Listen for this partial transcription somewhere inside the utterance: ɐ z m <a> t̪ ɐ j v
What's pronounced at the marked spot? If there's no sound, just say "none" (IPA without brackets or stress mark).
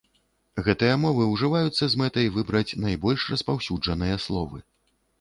ɛ